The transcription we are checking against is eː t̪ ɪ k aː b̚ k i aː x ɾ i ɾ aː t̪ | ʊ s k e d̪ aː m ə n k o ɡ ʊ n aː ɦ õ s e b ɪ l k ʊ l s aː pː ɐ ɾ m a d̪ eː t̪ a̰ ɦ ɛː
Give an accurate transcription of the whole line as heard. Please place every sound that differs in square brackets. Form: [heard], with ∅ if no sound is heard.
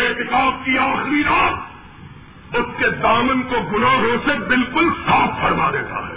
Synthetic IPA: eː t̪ ɪ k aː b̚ k i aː x ɾ i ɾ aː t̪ | ʊ s k e d̪ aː m ə n k o ɡ ʊ n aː ɦ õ s e b ɪ l k ʊ l s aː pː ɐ ɾ m a d̪ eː t̪ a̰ ɦ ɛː